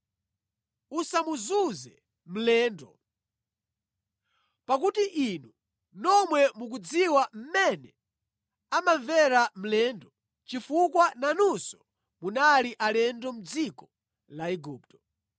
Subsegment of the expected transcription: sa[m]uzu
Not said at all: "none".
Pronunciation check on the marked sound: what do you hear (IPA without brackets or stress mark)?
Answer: m